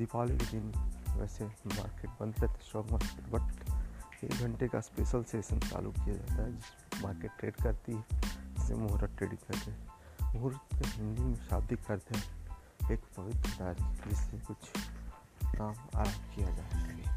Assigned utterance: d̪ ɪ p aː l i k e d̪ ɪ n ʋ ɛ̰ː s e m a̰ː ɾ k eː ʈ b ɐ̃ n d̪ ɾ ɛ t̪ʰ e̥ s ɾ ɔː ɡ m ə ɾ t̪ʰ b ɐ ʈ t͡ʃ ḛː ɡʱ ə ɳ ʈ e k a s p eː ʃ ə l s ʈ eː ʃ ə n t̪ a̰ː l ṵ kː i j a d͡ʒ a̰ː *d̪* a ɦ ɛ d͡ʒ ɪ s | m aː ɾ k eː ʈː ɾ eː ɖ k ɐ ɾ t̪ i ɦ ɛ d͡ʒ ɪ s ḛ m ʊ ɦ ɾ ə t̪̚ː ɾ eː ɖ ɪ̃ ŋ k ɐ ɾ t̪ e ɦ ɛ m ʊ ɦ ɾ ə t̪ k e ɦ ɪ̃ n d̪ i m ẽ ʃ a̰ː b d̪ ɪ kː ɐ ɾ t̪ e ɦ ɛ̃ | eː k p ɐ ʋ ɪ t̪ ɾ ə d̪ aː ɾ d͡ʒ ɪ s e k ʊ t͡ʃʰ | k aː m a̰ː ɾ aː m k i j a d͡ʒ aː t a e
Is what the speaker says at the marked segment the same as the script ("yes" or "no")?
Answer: no